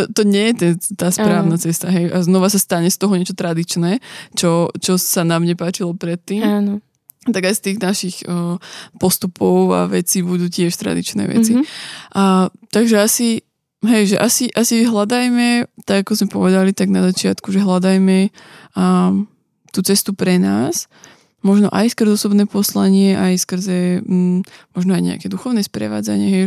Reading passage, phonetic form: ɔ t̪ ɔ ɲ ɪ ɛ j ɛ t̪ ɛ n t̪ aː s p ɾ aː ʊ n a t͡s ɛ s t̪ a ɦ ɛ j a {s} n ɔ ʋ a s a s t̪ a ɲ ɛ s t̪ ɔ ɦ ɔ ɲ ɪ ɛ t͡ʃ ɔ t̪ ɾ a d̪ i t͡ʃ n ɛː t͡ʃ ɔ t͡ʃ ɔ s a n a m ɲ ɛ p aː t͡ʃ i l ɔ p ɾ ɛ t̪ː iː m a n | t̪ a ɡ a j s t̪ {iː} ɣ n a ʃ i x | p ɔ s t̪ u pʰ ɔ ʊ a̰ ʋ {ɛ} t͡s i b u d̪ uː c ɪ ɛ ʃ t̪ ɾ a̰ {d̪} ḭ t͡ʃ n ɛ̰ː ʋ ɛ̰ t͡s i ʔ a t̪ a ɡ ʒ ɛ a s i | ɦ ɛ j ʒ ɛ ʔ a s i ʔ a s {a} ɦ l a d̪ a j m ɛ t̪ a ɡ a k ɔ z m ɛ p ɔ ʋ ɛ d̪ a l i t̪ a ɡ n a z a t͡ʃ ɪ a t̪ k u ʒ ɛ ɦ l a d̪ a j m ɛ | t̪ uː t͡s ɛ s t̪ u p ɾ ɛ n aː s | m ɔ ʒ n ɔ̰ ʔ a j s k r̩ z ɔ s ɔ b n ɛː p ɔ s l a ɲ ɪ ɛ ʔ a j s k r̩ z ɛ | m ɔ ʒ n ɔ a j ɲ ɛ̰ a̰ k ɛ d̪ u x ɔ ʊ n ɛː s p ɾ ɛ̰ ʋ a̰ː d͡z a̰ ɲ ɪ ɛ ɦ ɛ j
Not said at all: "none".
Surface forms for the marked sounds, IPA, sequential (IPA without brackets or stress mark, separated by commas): z, iː, ɛ, d̪, i